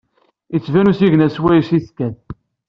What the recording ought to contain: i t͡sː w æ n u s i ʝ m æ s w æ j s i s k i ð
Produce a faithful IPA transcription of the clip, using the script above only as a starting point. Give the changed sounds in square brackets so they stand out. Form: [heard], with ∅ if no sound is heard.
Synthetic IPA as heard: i t͡sː [v] æ n u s i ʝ [n] æ s w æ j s i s k [æ] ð